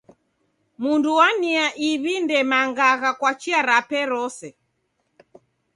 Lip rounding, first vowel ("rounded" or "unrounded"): rounded